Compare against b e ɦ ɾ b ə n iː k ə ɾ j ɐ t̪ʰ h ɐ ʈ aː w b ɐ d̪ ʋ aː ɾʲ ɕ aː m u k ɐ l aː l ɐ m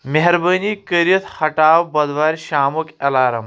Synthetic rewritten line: m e ɦ ɾ b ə n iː k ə ɾ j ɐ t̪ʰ h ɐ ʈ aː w b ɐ d̪ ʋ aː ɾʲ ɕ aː m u k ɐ l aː ɾ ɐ m